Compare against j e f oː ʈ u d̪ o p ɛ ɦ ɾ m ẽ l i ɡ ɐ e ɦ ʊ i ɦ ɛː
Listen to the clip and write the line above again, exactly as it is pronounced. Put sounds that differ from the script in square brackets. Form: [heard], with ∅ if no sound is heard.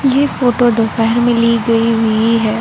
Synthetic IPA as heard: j e f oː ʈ [o] d̪ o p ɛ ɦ ɾ m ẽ l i ɡ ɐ [i] ɦ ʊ i ɦ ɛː